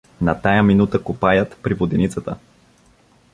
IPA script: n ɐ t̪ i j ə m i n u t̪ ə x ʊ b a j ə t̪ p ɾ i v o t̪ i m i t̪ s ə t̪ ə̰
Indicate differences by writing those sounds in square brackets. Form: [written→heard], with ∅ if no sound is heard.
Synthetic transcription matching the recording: n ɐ t̪ [i→a] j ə m i n u t̪ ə [x→k] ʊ [b→p] a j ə t̪ p ɾ i v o [t̪→d̪] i [m→n] i t̪ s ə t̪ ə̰